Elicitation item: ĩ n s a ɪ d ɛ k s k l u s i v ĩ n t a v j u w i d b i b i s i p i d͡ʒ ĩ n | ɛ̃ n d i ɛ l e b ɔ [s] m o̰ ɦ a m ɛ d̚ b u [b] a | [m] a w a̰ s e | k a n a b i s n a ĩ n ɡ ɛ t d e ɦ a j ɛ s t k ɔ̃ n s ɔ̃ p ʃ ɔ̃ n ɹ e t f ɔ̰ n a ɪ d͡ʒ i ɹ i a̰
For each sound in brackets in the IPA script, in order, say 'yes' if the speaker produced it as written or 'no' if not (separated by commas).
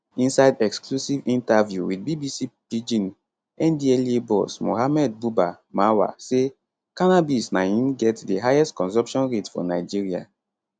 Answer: yes, yes, yes